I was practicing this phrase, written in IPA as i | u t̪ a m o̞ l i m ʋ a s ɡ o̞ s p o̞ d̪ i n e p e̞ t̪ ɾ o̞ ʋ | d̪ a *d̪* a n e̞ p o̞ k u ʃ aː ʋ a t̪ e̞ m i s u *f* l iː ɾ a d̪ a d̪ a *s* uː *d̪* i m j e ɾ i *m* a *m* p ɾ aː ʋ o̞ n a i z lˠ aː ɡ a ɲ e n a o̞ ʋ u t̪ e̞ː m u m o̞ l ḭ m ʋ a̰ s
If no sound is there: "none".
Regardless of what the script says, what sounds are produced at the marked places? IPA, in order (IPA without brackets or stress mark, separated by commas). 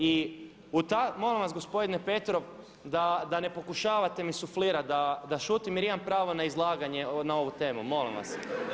d̪, f, ʃ, t̪, m, m